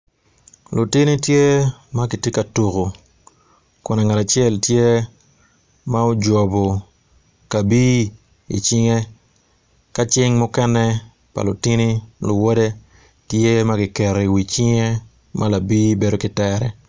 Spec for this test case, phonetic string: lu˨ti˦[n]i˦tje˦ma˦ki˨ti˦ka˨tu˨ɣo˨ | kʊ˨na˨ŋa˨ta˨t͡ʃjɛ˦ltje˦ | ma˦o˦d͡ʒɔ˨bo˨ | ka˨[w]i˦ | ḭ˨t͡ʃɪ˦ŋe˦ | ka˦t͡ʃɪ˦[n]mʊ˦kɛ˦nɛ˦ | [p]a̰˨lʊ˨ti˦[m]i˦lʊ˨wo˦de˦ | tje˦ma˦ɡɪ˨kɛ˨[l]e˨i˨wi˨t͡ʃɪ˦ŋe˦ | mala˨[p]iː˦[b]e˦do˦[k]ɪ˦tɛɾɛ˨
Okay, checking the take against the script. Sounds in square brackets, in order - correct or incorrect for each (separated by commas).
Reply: correct, incorrect, incorrect, correct, incorrect, incorrect, incorrect, correct, correct